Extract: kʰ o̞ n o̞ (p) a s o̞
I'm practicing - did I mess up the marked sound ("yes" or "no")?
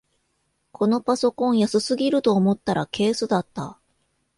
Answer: no